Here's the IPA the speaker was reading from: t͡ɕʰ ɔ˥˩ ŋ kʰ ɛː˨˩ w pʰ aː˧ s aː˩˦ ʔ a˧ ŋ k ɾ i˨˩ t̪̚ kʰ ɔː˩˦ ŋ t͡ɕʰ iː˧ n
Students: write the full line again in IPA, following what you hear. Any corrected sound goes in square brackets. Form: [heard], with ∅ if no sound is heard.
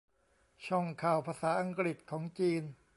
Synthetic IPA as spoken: t͡ɕʰ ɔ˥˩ ŋ kʰ [aː˨˩] w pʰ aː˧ s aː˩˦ ʔ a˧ ŋ k ɾ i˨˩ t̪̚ kʰ ɔː˩˦ ŋ [t͡ɕ] iː˧ n